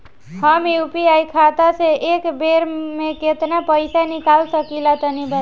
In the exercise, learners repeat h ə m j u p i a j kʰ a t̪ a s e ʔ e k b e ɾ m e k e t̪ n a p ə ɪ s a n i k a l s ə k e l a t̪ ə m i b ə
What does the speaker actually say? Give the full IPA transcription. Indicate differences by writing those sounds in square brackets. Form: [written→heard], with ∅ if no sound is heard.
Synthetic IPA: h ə m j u p i a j kʰ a t̪ a s e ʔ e k b e ɾ m e k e t̪ n a p ə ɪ s a n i k a l s ə k [e→i] l a t̪ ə [m→n] i b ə